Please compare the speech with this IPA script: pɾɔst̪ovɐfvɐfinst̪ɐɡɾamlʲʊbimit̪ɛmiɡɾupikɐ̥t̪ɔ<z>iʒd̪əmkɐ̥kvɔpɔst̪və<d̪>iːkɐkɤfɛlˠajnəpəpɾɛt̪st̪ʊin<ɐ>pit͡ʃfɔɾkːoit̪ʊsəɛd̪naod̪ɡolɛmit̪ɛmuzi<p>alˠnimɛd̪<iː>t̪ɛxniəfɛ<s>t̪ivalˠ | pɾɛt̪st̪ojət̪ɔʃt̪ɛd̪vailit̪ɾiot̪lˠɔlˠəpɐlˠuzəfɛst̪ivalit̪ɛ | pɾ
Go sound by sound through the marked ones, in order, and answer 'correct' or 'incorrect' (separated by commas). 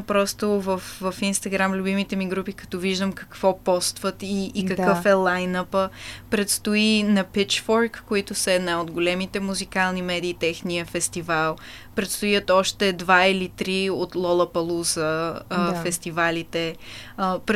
incorrect, incorrect, correct, incorrect, correct, correct